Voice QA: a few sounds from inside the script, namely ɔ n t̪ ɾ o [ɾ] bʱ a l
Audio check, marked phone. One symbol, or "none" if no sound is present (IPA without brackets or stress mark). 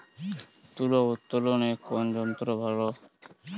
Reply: none